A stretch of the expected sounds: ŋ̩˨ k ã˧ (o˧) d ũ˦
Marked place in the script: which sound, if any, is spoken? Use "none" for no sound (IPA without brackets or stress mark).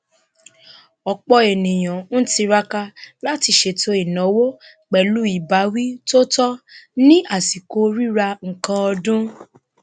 ɔ˧